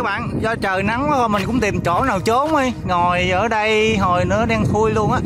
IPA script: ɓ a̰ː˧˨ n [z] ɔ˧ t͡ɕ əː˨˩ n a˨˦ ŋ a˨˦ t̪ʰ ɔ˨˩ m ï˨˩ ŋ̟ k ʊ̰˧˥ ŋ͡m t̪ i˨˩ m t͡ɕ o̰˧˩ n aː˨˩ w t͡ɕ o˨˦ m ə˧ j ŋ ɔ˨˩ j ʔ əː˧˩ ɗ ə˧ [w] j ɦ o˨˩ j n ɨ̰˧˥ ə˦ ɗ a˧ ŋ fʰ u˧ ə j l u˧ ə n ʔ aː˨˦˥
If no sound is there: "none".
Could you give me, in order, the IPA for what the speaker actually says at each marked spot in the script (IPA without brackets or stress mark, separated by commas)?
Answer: z, none